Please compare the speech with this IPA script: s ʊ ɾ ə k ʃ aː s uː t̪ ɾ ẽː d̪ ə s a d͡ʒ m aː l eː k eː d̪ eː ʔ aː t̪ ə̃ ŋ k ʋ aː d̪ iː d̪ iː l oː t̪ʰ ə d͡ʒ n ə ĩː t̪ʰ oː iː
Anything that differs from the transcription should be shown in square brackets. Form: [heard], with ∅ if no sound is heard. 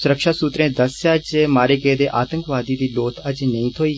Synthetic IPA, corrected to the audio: s ʊ ɾ ə k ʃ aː s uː t̪ ɾ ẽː d̪ ə s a d͡ʒ m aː [ɾ] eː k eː d̪ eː ʔ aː t̪ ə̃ ŋ k ʋ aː d̪ iː d̪ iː l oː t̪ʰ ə d͡ʒ n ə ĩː t̪ʰ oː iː